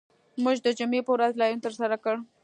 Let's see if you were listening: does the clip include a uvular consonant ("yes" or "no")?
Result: no